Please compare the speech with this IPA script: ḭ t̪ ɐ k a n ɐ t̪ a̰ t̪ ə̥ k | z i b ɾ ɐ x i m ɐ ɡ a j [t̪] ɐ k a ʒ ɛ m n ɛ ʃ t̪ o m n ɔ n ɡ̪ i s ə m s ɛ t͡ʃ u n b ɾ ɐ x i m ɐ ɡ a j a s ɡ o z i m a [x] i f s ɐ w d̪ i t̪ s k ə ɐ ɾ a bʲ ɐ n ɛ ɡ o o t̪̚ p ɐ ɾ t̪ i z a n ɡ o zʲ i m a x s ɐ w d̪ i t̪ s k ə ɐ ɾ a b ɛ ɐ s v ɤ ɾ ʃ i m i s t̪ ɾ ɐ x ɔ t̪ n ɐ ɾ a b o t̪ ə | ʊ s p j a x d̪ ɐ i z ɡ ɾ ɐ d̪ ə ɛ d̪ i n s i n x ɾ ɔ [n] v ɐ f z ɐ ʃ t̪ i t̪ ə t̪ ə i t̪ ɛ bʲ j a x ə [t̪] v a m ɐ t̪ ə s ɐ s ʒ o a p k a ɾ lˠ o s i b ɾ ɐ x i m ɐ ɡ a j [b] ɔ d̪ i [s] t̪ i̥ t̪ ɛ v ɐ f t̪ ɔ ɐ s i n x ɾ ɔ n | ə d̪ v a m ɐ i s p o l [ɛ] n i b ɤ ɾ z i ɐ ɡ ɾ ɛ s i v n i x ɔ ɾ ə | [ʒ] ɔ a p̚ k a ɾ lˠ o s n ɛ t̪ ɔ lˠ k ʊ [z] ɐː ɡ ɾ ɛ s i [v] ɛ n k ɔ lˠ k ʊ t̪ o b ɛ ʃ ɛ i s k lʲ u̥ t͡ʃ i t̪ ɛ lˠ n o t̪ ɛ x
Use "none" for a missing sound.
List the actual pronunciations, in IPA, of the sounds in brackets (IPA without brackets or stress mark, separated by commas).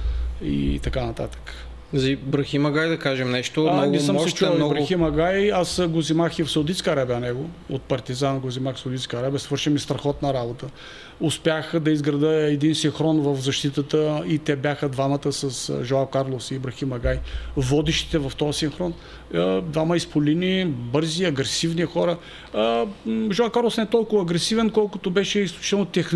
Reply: d̪, x, n, d̪, v, ʃ, i, ʒ, v, v